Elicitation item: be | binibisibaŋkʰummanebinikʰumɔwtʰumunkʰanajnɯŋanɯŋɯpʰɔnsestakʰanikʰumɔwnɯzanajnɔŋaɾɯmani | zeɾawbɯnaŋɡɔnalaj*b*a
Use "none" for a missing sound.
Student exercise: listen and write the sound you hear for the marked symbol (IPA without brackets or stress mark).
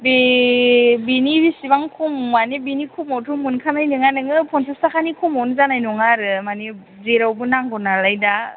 d